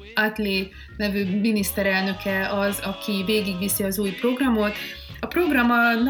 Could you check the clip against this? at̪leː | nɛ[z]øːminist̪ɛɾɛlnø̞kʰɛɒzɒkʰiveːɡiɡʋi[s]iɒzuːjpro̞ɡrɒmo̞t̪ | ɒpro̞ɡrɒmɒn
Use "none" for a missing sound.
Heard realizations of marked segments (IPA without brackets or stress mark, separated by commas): v, s